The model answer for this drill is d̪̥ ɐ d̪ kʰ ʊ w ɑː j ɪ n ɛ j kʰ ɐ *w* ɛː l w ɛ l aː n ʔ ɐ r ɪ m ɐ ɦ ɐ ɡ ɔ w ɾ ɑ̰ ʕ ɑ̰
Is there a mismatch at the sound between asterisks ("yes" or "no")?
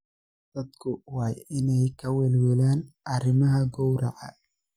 no